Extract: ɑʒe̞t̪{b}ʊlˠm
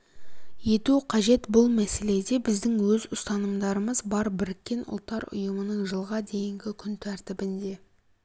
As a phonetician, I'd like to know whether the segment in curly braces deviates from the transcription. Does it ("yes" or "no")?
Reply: no